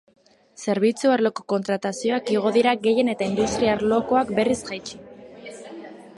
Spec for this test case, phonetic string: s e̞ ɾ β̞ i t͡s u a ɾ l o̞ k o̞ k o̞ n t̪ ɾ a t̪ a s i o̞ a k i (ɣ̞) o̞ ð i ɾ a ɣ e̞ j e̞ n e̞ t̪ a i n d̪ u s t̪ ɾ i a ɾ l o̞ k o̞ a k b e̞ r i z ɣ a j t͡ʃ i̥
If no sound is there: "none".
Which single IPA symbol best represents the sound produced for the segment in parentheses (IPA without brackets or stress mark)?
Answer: ɣ̞